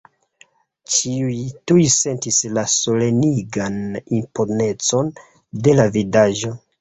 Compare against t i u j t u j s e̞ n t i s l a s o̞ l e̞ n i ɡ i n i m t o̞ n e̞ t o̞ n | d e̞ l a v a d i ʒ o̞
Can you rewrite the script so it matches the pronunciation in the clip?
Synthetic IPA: t͡ʃ i u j t u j s e̞ n t i s l a s o̞ l e̞ n i ɡ a n i m p o̞ n e̞ t͡s o̞ n | d e̞ l a v i d a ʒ o̞